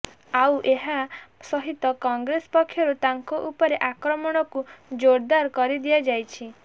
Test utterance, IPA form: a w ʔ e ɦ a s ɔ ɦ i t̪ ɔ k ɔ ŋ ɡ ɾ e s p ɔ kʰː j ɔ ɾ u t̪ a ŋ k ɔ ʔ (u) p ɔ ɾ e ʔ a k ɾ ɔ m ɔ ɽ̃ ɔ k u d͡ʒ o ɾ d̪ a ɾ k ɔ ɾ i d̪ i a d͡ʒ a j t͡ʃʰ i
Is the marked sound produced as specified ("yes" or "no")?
yes